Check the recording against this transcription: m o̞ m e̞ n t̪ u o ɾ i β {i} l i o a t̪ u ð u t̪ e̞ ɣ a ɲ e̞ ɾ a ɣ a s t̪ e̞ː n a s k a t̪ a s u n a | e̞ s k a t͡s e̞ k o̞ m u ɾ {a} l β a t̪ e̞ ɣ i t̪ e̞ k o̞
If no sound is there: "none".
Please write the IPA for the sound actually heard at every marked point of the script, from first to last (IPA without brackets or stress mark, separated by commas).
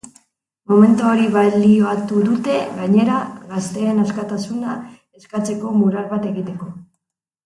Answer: a, a